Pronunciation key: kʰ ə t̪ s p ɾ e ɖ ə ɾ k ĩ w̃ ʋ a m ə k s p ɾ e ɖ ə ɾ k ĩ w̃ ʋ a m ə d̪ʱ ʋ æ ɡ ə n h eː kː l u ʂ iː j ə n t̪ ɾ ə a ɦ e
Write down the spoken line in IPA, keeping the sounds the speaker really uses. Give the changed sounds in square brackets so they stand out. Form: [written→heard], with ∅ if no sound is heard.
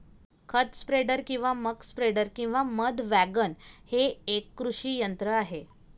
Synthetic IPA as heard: kʰ ə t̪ s p ɾ e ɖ ə ɾ k ĩ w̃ ʋ a m ə k s p ɾ e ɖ ə ɾ k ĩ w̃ ʋ a m ə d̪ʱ ʋ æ ɡ ə n h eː kː [l→ɾ] u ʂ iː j ə n t̪ ɾ ə a ɦ e